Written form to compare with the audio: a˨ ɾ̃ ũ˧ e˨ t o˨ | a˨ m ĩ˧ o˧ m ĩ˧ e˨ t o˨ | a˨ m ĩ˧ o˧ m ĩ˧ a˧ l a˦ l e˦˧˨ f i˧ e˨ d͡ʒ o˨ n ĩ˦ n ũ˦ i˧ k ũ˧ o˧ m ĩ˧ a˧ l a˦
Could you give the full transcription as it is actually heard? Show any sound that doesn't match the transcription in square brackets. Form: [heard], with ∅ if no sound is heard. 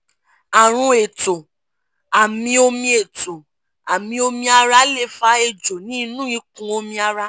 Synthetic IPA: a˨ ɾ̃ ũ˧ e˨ t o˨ | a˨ m ĩ˧ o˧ m ĩ˧ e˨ t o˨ | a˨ m ĩ˧ o˧ m ĩ˧ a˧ [ɾ] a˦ l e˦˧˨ f [a˧] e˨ d͡ʒ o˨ n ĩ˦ n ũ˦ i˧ k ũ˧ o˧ m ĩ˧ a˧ [ɾ] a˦